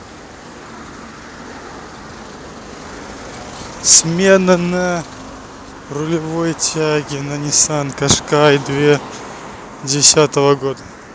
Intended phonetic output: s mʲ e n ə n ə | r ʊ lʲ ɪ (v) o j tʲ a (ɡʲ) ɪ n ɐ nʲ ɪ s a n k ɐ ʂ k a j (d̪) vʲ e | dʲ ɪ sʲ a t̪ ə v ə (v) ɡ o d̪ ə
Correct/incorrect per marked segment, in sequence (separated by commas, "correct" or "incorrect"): correct, correct, correct, incorrect